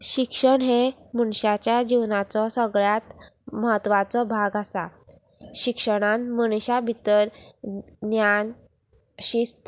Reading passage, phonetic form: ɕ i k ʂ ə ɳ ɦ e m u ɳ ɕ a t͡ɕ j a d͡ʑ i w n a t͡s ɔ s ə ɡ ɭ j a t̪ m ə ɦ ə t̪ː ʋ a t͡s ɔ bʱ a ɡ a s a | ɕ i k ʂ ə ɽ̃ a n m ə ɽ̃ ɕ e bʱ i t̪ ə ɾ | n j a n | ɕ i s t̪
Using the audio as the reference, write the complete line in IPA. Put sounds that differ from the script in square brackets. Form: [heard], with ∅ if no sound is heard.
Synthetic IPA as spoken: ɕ i k ʂ ə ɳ ɦ e m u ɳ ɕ a t͡ɕ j a d͡ʑ i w n a t͡s ɔ s ə ɡ ɭ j a t̪ m ə ɦ ə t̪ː ʋ a t͡s ɔ bʱ a ɡ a s a | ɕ i k ʂ ə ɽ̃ a n m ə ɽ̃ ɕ [a] bʱ i t̪ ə ɾ | n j a n | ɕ i s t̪